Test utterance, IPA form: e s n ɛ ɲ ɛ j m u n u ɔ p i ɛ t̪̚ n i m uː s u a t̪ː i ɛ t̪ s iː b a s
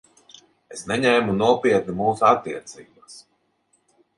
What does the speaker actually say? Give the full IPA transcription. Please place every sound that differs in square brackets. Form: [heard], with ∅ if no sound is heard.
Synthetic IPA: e s n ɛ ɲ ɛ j m u n u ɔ p i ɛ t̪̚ n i m uː s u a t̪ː i ɛ t̪ s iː b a s